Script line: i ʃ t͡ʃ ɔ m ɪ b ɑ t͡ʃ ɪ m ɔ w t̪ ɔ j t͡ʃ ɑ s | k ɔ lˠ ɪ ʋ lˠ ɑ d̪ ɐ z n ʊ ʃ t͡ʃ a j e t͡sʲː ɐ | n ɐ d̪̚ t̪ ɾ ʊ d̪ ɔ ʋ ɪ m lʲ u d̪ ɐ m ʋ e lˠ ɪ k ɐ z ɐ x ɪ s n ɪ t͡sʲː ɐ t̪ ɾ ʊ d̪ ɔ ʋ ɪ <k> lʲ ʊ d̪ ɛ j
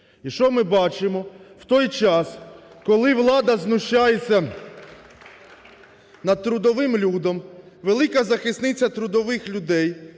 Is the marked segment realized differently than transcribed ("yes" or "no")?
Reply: yes